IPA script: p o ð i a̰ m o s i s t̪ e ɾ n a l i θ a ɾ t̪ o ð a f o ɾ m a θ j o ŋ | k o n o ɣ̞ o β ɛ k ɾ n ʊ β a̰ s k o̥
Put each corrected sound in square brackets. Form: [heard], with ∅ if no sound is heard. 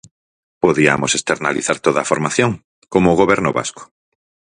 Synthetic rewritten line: p o ð i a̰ m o s [e] s t̪ e ɾ n a l i θ a ɾ t̪ o ð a f o ɾ m a θ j o ŋ | k o [m] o ɣ̞ o β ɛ [∅] ɾ n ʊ β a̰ s k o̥

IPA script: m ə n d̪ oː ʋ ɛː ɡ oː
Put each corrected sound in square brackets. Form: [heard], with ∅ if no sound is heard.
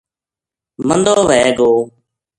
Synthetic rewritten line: m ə n d̪ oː ʋ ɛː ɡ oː

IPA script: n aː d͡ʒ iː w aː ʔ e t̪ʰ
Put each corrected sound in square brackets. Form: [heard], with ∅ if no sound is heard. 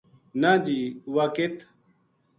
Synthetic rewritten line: n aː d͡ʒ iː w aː [k] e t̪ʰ

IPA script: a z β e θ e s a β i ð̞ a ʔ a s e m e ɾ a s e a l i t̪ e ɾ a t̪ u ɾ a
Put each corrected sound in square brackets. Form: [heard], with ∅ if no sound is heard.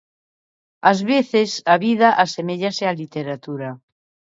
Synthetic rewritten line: a z β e θ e s a β i ð̞ a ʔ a s e m e [ʎ] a s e a l i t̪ e ɾ a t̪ u ɾ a

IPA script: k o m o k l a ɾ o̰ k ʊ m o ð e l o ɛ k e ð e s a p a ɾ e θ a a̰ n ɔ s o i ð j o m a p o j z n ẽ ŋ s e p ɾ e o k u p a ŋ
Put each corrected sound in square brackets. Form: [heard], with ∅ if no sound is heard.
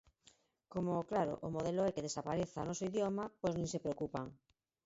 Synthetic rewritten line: k o m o k l a ɾ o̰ [ʔ] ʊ m o ð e l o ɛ k e ð e s a p a ɾ e θ a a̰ n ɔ s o i ð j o m a p o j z n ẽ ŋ s e p ɾ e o k u p a ŋ

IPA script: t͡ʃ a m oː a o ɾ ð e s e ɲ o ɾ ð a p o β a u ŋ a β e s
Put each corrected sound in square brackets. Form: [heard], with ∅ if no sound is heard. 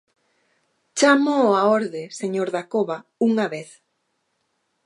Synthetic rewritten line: t͡ʃ a m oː a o ɾ ð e s e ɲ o ɾ ð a [k] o β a u ŋ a β e [θ]

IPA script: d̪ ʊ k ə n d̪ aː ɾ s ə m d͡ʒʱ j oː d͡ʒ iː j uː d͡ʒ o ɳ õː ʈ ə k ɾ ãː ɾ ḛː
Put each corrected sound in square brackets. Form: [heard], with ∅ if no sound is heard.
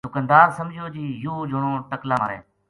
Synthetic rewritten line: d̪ ʊ k ə n d̪ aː ɾ s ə m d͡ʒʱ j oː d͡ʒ iː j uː d͡ʒ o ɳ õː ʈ ə k [l] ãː ɾ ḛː

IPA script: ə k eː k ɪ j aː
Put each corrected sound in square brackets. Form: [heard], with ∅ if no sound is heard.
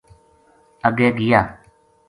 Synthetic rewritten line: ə [ɡ] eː [ɡ] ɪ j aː

